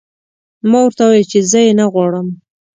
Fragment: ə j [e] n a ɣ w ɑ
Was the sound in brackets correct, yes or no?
yes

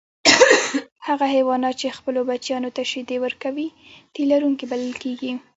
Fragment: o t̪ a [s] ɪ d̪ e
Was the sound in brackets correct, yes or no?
no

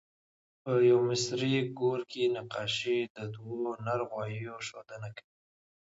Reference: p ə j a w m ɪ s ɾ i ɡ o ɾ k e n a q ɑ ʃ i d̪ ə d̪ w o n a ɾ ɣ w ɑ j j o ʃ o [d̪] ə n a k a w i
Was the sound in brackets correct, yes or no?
yes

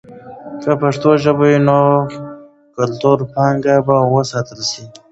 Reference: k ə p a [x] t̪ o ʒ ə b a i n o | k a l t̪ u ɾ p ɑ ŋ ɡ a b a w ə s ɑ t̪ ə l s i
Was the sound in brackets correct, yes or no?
no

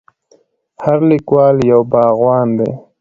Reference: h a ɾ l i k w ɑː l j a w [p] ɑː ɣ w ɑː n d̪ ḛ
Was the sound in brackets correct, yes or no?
no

